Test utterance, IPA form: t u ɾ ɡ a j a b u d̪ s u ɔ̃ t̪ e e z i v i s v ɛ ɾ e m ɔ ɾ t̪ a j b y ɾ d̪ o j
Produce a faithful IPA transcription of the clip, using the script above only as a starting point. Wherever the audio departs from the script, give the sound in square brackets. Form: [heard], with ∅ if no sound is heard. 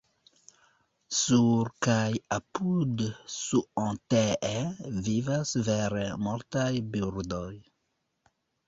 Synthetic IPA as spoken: [s] u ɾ [k] a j a [p] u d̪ s u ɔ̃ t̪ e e [v] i v [a] s v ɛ ɾ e m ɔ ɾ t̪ a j b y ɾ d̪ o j